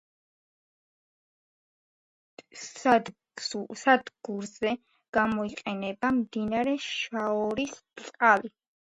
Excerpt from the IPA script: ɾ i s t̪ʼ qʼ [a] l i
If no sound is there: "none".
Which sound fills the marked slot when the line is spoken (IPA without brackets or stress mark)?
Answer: a